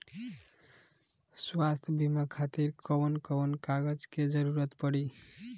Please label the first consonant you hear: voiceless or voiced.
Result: voiceless